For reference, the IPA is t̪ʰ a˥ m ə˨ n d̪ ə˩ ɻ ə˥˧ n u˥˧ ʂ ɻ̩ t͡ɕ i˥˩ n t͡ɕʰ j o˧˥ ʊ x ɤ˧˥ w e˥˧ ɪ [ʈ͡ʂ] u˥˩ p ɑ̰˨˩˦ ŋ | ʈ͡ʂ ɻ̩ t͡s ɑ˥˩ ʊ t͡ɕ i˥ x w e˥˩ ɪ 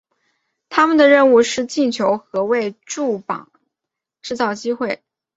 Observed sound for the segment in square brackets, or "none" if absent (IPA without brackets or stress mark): ʈ͡ʂ